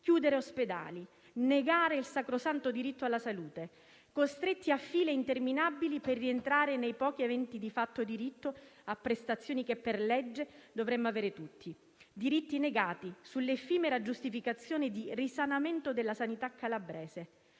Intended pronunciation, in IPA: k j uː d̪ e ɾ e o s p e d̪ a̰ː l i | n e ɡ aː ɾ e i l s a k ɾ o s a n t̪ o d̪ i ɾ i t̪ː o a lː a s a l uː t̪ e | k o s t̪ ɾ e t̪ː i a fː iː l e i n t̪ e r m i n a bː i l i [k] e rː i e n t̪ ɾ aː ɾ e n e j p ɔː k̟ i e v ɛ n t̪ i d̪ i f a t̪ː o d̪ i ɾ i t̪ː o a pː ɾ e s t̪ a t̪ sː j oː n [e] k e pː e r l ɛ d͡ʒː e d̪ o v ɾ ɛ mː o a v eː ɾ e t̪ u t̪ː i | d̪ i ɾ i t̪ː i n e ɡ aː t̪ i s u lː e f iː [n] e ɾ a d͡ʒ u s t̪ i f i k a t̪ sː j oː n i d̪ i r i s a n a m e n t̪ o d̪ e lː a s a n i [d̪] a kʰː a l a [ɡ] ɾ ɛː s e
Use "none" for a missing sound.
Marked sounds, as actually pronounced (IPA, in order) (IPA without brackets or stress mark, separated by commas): p, i, m, t̪, b